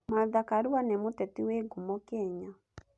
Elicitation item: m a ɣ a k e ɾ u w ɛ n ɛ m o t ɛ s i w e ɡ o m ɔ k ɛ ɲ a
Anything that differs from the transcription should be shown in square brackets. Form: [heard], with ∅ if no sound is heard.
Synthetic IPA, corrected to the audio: m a [ð] a k [a] ɾ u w [a] n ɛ m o t ɛ [t] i w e ɡ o m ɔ k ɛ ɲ a